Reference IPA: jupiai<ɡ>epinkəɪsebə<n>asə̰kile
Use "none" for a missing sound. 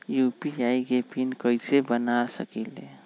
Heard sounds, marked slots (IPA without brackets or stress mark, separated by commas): ɡ, n